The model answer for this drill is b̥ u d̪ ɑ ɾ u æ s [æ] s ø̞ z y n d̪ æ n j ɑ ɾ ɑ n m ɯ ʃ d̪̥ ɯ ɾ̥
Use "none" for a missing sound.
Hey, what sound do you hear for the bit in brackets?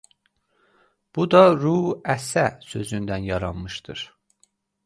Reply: æ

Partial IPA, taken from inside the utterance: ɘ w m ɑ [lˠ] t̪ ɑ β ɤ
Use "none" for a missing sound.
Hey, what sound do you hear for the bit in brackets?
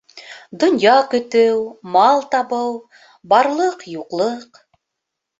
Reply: lˠ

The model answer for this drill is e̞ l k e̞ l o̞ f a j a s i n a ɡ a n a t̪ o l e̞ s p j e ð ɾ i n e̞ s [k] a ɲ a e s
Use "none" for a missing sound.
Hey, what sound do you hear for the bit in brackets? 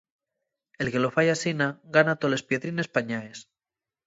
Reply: p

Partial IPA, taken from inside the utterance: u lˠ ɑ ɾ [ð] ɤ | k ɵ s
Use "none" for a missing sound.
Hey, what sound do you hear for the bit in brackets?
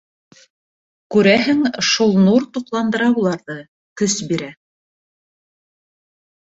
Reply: ð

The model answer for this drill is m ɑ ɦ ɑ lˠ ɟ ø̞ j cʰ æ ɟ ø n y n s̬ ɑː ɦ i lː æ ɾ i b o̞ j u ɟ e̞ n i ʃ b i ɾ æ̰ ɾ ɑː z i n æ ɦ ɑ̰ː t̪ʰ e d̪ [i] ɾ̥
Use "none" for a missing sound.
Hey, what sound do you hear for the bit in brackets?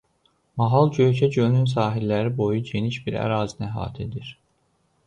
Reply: i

